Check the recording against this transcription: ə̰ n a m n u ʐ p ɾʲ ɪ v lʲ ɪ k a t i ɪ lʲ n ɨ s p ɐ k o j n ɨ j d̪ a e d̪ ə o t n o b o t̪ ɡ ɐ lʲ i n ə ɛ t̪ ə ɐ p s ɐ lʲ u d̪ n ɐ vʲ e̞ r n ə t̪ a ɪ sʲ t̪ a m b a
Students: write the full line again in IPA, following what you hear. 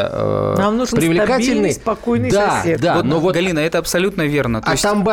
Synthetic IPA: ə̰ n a m n u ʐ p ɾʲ ɪ v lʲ ɪ k a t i ɪ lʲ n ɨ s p ɐ k o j n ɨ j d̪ a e d̪ a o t n o v o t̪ ɡ ɐ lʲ i n ə ɛ t̪ ə ɐ p s ɐ lʲ u t̪ n ə vʲ e̞ r n ə t̪ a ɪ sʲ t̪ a m b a